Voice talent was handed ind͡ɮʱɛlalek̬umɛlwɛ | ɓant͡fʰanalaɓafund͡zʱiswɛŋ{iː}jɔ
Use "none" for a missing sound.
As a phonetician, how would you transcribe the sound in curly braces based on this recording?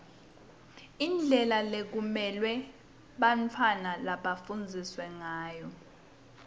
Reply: aː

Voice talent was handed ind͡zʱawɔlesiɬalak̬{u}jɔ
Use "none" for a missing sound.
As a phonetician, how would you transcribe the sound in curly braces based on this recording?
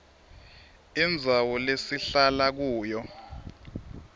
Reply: uː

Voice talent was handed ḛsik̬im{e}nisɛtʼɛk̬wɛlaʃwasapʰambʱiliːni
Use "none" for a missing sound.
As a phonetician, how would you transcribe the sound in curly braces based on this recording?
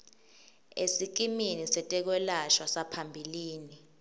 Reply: i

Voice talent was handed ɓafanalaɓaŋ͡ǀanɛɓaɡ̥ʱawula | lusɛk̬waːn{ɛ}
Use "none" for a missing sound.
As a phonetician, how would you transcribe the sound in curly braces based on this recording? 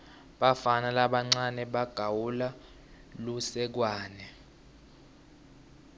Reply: ɛ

